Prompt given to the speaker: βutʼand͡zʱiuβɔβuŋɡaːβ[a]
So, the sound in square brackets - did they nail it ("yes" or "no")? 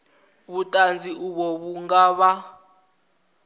yes